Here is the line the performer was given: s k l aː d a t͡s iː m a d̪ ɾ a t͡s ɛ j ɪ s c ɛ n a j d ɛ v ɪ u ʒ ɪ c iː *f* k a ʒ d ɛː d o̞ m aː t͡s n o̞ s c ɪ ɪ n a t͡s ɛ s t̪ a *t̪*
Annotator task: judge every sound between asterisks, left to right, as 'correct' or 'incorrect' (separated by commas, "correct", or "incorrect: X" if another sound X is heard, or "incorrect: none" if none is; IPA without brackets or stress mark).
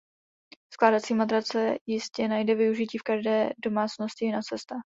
correct, incorrect: none